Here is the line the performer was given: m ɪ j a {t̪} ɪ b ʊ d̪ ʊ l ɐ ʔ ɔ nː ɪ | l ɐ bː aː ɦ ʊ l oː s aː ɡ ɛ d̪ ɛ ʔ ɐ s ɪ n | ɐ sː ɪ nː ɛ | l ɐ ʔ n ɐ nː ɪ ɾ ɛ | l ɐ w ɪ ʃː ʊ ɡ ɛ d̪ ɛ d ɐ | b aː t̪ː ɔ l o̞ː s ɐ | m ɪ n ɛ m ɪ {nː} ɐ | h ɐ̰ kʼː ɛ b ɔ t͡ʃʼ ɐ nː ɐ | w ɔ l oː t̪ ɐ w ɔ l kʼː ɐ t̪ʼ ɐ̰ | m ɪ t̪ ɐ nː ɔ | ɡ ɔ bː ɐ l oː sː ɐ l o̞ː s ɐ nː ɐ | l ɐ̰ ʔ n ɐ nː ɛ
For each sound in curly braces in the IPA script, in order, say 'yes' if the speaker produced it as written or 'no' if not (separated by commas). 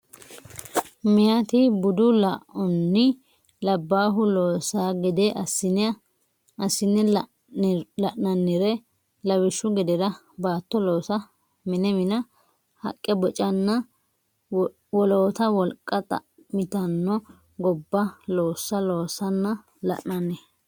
yes, no